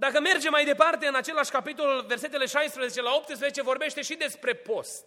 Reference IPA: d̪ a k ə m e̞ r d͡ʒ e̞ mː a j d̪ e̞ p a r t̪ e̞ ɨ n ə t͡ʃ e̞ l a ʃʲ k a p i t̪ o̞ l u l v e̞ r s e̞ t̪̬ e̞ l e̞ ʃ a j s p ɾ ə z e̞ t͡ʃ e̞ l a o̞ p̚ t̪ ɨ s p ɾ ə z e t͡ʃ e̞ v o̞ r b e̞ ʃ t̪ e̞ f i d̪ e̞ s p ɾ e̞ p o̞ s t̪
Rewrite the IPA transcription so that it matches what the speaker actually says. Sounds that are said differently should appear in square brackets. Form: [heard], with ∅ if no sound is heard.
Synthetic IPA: d̪ a k ə m e̞ r d͡ʒ e̞ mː a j d̪ e̞ p a r t̪ e̞ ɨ n [a] t͡ʃ e̞ l a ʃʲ k a p i t̪ o̞ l u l v e̞ r s e̞ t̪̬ e̞ l e̞ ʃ a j s p ɾ ə z e̞ t͡ʃ e̞ l a o̞ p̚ t̪ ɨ s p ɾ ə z e t͡ʃ e̞ v o̞ r b e̞ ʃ t̪ e̞ [ʃ] i d̪ e̞ s p ɾ e̞ p o̞ s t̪